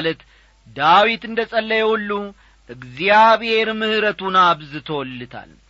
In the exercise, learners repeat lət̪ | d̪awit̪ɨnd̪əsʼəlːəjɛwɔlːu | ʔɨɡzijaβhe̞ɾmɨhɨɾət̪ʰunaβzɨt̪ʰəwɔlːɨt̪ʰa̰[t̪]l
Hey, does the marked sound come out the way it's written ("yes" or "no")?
no